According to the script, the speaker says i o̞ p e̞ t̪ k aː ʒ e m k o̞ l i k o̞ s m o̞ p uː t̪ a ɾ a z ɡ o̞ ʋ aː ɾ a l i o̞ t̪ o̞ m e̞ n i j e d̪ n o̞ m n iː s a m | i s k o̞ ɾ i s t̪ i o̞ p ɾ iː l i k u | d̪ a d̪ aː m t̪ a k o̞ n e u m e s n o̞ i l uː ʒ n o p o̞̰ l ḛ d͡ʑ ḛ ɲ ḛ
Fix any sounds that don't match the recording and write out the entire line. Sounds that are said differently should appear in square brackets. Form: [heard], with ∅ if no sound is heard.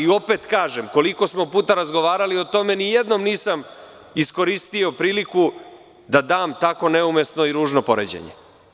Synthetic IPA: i o̞ p e̞ t̪ k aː ʒ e m k o̞ l i k o̞ s m o̞ p uː t̪ a ɾ a z ɡ o̞ ʋ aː ɾ a l i o̞ t̪ o̞ m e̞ n i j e d̪ n o̞ m n iː s a m | i s k o̞ ɾ i s t̪ i o̞ p ɾ iː l i k u | d̪ a d̪ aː m t̪ a k o̞ n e u m e s n o̞ i [ɾ] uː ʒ n o p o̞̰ [ɾ] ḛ d͡ʑ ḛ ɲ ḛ

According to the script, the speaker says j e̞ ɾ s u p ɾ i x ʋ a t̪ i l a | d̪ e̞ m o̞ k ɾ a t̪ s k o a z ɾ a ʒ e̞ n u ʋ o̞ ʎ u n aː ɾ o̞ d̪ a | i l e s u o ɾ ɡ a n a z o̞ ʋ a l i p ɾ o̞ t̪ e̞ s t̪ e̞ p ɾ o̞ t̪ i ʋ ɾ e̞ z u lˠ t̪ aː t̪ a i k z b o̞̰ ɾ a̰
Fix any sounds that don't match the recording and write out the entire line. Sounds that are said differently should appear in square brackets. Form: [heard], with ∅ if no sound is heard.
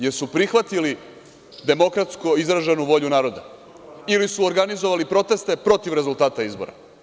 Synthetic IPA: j e̞ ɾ s u p ɾ i x ʋ a t̪ i l [i] | d̪ e̞ m o̞ k ɾ a t̪ s k o [i] z ɾ a ʒ e̞ n u ʋ o̞ ʎ u n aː ɾ o̞ d̪ a | i l [i] s u o ɾ ɡ a n [i] z o̞ ʋ a l i p ɾ o̞ t̪ e̞ s t̪ e̞ p ɾ o̞ t̪ i ʋ ɾ e̞ z u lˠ t̪ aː t̪ a i [∅] z b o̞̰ ɾ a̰

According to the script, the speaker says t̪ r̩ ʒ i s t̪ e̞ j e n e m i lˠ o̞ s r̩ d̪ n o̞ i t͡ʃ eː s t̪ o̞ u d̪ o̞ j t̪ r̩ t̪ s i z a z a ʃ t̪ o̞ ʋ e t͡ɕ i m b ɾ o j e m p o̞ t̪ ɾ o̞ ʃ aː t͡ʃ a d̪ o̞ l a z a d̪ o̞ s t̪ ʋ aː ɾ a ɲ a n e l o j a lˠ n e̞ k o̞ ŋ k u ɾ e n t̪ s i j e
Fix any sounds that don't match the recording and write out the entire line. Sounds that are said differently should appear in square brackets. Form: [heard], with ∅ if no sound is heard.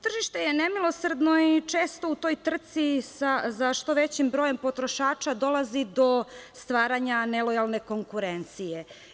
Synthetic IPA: t̪ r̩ ʒ i [ʃ] t̪ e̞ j e n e m i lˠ o̞ s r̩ d̪ n o̞ i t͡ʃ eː s t̪ o̞ u [t̪] o̞ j t̪ r̩ t̪ s i [s] a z a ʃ t̪ o̞ ʋ e t͡ɕ i m b ɾ o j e m p o̞ t̪ ɾ o̞ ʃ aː t͡ʃ a d̪ o̞ l a z [i] d̪ o̞ s t̪ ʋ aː ɾ a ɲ a n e l o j a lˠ n e̞ k o̞ ŋ k u ɾ e n t̪ s i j e

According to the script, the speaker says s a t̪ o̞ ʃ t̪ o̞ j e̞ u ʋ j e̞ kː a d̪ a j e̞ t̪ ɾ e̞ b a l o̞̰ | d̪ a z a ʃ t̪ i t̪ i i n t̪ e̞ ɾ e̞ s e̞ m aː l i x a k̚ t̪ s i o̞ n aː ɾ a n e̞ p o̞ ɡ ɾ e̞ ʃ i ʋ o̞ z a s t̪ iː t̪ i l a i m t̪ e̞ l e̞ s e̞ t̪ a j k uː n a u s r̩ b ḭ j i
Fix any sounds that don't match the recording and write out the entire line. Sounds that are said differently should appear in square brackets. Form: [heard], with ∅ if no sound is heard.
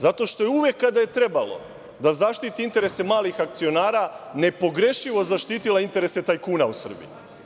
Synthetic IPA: [z] a t̪ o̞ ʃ t̪ o̞ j e̞ u ʋ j e̞ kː a d̪ a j e̞ t̪ ɾ e̞ b a l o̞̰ | d̪ a z a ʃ t̪ i t̪ i i n t̪ e̞ ɾ e̞ s e̞ m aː l i x a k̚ t̪ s i o̞ n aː ɾ a n e̞ p o̞ ɡ ɾ e̞ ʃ i ʋ o̞ z a [ʃ] t̪ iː t̪ i l a i [n] t̪ e̞ [ɾ] e̞ s e̞ t̪ a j k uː n a u s r̩ b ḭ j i

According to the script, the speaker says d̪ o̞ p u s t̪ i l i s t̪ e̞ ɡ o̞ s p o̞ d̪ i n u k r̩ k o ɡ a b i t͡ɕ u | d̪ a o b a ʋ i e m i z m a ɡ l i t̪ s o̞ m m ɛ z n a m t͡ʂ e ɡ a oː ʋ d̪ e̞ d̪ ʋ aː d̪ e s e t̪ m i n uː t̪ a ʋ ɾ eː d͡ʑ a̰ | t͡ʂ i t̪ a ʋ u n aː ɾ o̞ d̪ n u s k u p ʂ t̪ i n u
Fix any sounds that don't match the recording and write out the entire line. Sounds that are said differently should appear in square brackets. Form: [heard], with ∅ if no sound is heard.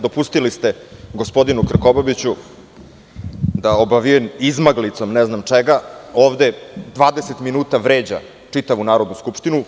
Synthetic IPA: d̪ o̞ p u s t̪ i l i s t̪ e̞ ɡ o̞ s p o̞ d̪ i n u k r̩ k o [b] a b i t͡ɕ u | d̪ a o b a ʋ i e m i z m a ɡ l i t̪ s o̞ m [n] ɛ z n a m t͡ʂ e ɡ a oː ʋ d̪ e̞ d̪ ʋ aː d̪ e s e t̪ m i n uː t̪ a ʋ ɾ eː d͡ʑ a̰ | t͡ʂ i t̪ a ʋ u n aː ɾ o̞ d̪ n u s k u p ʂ t̪ i n u

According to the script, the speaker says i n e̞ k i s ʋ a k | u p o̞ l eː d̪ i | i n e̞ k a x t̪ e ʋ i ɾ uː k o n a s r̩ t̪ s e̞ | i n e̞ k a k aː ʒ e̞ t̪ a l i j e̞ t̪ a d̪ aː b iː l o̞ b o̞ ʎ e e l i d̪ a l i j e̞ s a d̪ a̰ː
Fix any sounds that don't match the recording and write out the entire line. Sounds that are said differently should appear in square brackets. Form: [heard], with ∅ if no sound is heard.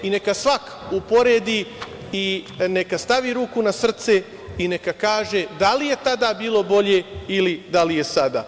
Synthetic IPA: i n e̞ k [a] s ʋ a k | u p o̞ [ɾ] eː d̪ i | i n e̞ k a [s] t̪ [a] ʋ i ɾ uː k [u] n a s r̩ t̪ s e̞ | i n e̞ k a k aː ʒ e̞ [d̪] a l i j e̞ t̪ a d̪ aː b iː l o̞ b o̞ ʎ e [i] l i d̪ a l i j e̞ s a d̪ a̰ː

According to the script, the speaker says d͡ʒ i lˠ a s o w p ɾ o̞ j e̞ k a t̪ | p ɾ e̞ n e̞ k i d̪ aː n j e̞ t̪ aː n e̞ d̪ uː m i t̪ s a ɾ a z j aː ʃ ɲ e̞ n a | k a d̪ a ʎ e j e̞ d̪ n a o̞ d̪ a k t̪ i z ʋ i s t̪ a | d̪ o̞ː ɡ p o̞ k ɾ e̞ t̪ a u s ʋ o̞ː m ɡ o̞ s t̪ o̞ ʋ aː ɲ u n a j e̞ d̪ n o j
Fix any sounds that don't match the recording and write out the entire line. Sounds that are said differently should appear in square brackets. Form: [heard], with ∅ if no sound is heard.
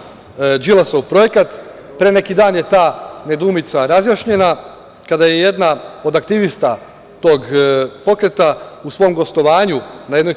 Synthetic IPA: d͡ʒ i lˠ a s o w p ɾ o̞ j e̞ k a t̪ | p ɾ e̞ n e̞ k i d̪ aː n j e̞ t̪ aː n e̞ d̪ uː m i t̪ s a ɾ a z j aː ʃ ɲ e̞ n a | k a d̪ a [j] e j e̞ d̪ n a o̞ d̪ a k t̪ i [∅] ʋ i s t̪ a | [t̪] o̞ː ɡ p o̞ k ɾ e̞ t̪ a u s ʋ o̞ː m ɡ o̞ s t̪ o̞ ʋ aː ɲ u n a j e̞ d̪ n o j

